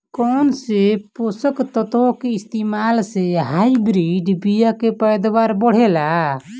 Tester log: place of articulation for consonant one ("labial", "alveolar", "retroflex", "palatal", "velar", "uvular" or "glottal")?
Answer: velar